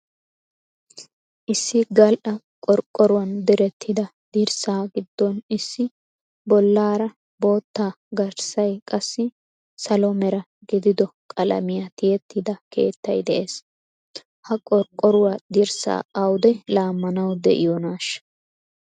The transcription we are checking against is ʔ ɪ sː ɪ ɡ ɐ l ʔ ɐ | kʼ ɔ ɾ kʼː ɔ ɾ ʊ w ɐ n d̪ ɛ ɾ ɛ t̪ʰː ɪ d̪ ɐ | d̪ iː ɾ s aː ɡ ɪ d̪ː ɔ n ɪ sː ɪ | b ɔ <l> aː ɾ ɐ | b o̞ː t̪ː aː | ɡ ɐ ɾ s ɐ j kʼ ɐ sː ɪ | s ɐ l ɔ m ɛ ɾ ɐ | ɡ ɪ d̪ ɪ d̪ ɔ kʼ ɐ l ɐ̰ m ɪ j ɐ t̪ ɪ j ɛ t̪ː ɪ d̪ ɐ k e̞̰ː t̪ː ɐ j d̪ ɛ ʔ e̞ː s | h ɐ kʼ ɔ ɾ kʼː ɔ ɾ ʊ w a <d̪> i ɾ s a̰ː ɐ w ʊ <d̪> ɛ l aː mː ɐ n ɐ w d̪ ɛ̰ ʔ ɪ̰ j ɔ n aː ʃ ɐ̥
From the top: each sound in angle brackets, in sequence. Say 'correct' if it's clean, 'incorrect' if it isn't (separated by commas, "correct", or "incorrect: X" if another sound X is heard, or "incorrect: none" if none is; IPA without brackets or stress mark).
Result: incorrect: lː, correct, correct